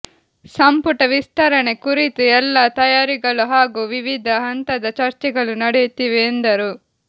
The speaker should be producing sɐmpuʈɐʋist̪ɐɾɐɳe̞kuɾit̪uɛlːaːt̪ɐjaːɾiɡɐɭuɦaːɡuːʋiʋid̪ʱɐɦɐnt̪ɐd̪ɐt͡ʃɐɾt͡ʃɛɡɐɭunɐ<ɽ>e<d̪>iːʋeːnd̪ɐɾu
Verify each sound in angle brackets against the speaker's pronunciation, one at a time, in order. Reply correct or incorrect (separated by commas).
correct, incorrect